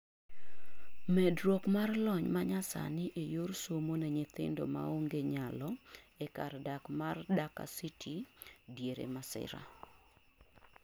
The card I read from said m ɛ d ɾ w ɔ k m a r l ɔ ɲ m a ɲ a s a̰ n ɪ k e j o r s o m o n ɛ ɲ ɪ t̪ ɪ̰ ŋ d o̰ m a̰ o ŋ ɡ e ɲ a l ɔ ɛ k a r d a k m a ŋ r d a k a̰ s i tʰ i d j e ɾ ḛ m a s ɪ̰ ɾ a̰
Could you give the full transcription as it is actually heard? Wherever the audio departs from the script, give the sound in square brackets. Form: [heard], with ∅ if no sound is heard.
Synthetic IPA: m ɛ d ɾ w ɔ k m a r l ɔ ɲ m a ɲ a s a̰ n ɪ [ʔ] e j o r s o m o n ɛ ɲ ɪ t̪ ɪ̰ [n] d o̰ m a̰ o ŋ ɡ e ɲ a l ɔ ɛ k a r d a k m a [∅] r d a k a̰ s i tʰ i d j e ɾ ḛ m a s ɪ̰ ɾ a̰